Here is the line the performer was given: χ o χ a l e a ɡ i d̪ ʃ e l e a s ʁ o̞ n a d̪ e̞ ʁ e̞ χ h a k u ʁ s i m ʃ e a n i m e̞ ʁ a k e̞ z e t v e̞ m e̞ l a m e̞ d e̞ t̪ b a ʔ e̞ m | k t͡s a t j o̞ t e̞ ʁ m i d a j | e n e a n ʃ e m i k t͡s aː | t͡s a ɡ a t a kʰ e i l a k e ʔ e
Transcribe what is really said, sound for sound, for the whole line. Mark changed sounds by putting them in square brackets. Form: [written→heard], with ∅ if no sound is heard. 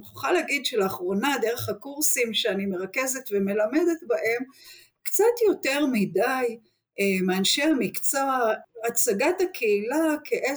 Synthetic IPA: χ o χ a l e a ɡ i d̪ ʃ e l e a [s→χ] ʁ o̞ n a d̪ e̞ ʁ e̞ χ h a k u ʁ s i m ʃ e a n i m e̞ ʁ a k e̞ z e t v e̞ m e̞ l a m e̞ d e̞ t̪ b a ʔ e̞ m | k t͡s a t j o̞ t e̞ ʁ m i d a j | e [n→m] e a n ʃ e m i k t͡s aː | t͡s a ɡ a t a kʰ e i l a k e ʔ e